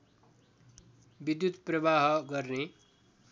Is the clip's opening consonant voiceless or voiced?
voiced